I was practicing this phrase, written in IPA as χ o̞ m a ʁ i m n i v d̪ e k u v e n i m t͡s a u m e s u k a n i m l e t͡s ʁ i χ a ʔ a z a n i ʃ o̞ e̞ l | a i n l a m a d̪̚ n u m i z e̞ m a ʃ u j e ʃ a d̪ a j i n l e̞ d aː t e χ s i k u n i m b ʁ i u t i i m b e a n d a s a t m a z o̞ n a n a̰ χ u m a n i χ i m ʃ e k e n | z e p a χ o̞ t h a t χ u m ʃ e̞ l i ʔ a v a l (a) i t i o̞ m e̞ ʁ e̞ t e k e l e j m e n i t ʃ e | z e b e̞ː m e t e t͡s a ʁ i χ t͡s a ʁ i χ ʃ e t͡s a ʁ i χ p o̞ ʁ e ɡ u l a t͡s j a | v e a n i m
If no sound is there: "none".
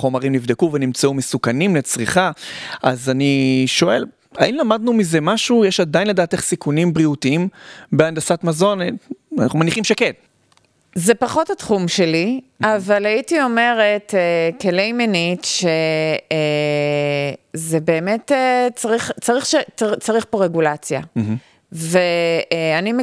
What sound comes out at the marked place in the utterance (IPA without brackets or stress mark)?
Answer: a